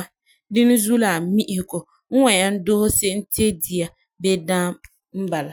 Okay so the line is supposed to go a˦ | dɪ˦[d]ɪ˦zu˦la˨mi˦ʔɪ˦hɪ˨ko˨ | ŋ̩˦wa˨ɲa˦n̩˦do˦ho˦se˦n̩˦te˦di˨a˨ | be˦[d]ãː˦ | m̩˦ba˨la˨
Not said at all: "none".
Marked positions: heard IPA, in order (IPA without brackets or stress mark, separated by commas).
n, d